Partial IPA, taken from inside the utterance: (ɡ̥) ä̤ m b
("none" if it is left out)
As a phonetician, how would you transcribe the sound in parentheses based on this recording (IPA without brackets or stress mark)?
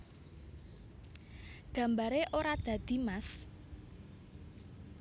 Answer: ɡ̥